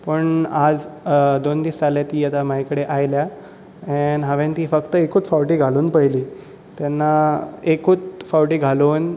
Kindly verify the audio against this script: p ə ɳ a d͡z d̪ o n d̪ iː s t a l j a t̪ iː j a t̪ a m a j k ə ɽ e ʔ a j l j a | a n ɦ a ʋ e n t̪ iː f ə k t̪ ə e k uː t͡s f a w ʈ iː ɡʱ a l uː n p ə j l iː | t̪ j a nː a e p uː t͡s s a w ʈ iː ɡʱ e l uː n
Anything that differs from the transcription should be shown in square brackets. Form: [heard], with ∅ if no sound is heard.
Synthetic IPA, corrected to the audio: p ə ɳ a d͡z d̪ o n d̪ iː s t a l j a t̪ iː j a t̪ a m a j k ə ɽ e ʔ a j l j a | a n ɦ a ʋ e n t̪ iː f ə k t̪ ə e k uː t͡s f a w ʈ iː ɡʱ a l uː n p ə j l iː | t̪ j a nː a e [k] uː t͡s [f] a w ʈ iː ɡʱ [a] l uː n